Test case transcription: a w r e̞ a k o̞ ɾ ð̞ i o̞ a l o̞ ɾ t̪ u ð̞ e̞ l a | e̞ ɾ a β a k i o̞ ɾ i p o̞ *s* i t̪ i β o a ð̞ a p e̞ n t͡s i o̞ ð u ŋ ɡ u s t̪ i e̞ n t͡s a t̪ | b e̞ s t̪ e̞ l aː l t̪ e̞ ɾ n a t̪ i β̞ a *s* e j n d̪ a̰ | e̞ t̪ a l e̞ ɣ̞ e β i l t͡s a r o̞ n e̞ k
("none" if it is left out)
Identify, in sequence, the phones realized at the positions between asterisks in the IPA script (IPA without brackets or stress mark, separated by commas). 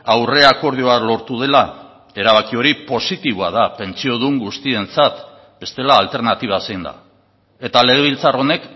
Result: s, s